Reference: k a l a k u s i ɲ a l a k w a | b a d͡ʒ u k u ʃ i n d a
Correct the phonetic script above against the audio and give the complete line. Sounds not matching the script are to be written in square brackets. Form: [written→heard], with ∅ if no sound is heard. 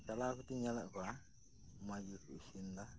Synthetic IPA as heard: k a l a k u [s→t] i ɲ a l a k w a | [b→m] a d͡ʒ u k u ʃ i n d a